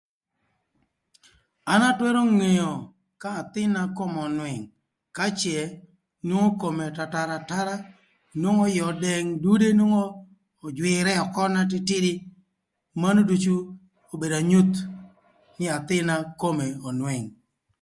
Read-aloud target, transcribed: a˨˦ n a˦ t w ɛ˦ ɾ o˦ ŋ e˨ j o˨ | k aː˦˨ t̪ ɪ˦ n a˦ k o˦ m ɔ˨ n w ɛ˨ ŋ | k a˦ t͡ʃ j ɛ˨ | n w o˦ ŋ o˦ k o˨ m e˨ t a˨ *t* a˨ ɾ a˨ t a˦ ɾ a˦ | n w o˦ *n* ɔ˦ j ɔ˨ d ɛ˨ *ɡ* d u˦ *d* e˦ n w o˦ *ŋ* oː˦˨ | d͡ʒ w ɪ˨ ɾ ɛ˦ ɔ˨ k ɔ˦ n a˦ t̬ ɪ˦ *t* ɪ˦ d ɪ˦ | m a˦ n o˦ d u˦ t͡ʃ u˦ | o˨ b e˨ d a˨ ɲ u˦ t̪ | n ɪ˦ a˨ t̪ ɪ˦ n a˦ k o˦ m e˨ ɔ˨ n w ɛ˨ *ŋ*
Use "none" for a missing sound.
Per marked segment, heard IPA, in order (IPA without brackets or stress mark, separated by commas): t, ŋ, ŋ, d, ŋ, t, ŋ